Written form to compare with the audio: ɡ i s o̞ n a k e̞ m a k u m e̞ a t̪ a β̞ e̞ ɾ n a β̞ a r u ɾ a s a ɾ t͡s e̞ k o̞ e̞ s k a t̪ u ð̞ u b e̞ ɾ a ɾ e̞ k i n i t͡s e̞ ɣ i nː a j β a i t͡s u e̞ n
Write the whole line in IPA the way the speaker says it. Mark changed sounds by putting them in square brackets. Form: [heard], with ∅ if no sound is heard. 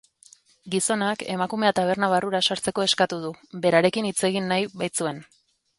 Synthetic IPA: ɡ i s o̞ n a k e̞ m a k u m e̞ a t̪ a β̞ e̞ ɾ n a β̞ a r u ɾ a s a ɾ t͡s e̞ k o̞ e̞ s k a t̪ u ð̞ u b e̞ ɾ a ɾ e̞ k i n i t͡s e̞ ɣ i nː a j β a [j] t͡s u e̞ n